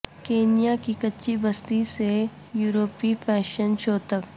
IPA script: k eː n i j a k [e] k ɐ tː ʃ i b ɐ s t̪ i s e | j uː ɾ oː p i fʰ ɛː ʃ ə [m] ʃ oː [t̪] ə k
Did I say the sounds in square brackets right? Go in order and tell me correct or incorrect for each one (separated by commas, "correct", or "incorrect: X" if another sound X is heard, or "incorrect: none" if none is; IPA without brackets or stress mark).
incorrect: i, incorrect: n, correct